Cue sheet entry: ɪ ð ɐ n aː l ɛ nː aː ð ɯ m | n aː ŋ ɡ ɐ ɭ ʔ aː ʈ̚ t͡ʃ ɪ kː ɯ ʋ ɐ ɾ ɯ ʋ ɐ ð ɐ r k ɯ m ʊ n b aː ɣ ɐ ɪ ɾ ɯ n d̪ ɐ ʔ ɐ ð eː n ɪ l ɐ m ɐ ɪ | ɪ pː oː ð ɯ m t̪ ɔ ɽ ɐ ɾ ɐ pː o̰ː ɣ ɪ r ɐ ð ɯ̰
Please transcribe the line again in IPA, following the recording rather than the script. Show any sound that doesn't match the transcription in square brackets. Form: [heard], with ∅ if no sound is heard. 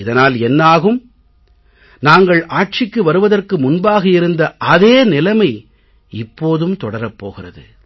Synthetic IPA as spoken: ɪ ð ɐ n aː l ɛ nː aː [ɣ] ɯ m | n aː ŋ ɡ ɐ ɭ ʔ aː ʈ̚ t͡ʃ ɪ kː ɯ ʋ ɐ ɾ ɯ ʋ ɐ ð ɐ r k ɯ m ʊ n b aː ɣ ɐ ɪ ɾ ɯ n d̪ ɐ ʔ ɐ ð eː n ɪ l ɐ m ɐ ɪ | ɪ pː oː ð ɯ m t̪ ɔ ɽ ɐ ɾ ɐ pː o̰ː ɣ ɪ r ɐ ð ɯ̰